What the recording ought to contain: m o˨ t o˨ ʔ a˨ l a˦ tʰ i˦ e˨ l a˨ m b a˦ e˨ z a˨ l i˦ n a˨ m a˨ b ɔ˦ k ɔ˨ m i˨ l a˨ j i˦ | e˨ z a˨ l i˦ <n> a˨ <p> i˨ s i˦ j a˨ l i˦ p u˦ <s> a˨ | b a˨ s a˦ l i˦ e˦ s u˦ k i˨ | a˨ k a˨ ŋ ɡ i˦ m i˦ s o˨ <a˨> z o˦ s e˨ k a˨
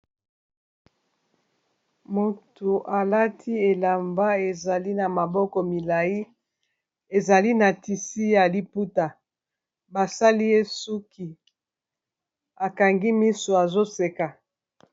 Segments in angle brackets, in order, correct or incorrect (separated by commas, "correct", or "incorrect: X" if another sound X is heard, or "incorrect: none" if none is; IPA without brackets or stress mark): correct, incorrect: t, incorrect: t, correct